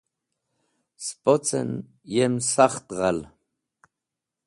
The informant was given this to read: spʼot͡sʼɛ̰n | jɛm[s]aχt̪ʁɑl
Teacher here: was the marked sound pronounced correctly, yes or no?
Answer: yes